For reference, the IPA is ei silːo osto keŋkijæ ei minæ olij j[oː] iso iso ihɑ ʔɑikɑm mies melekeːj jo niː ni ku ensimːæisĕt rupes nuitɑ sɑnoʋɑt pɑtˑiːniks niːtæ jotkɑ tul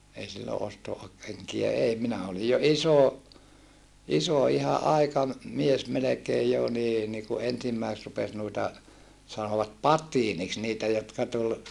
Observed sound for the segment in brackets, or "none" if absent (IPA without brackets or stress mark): o